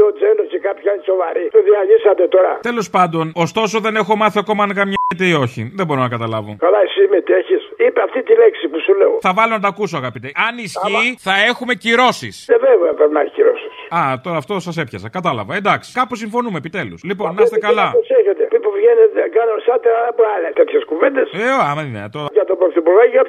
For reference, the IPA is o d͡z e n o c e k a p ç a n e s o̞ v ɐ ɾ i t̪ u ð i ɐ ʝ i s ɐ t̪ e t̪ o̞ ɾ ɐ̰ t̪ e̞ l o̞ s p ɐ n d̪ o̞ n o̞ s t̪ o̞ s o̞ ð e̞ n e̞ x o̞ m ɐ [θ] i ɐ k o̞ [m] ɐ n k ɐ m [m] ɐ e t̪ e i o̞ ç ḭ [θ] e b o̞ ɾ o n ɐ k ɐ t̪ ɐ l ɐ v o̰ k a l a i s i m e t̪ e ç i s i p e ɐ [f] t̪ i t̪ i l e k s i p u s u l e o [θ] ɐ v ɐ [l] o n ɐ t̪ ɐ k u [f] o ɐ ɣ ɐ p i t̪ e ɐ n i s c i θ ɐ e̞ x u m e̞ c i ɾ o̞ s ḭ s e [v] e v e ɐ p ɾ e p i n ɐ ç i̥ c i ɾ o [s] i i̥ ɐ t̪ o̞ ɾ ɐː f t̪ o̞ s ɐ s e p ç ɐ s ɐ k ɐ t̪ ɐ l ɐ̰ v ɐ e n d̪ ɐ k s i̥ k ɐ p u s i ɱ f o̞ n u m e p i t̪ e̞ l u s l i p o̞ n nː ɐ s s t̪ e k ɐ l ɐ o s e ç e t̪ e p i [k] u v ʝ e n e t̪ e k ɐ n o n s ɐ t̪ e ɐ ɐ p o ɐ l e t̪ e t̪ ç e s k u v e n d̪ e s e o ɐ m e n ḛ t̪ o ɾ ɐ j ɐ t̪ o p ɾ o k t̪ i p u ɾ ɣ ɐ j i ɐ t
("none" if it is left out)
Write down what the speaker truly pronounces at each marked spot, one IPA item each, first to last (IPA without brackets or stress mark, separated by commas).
θ, m, ɲ, ð, f, θ, l, s, v, s, p